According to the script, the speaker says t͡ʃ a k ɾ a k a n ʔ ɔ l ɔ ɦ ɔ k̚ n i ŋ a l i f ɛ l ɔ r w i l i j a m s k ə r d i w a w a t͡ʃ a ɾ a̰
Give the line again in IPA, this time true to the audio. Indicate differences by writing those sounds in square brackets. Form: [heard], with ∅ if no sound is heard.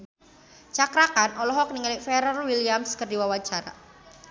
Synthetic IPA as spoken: t͡ʃ a k ɾ a k a n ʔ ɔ l ɔ ɦ ɔ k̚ n i ŋ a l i f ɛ [ɾ] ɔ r w i l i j a m s k ə r d i w a w a t͡ʃ a ɾ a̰